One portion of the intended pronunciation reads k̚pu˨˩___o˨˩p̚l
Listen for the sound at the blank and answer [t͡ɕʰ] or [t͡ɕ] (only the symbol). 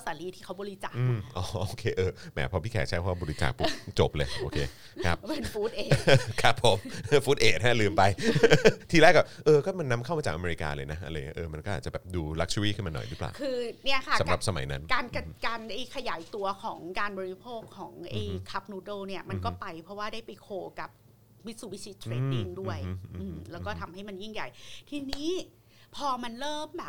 t͡ɕ